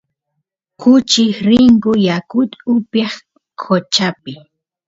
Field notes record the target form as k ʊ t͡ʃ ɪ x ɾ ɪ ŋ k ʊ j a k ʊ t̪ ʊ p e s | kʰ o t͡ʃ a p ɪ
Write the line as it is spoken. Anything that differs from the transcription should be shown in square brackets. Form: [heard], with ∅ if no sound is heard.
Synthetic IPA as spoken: k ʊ t͡ʃ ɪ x ɾ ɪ ŋ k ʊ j a k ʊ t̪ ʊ p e [χ] | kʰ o t͡ʃ a p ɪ